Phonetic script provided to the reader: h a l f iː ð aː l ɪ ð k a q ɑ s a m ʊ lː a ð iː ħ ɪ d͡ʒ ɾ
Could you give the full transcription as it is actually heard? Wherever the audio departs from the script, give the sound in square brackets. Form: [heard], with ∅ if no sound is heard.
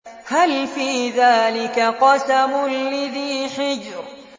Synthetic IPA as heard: h a l f iː ð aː l ɪ [∅] k a q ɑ s a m ʊ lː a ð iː ħ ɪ d͡ʒ ɾ